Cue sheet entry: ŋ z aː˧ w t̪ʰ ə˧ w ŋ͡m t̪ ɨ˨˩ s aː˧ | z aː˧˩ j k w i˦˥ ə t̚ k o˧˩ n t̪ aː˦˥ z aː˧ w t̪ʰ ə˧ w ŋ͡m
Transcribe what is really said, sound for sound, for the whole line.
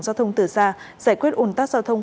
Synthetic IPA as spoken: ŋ z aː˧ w t̪ʰ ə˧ w ŋ͡m t̪ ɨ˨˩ s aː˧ | z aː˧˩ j k w i˦˥ ə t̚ ʔ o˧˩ n t̪ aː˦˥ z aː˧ w t̪ʰ ə˧ w ŋ͡m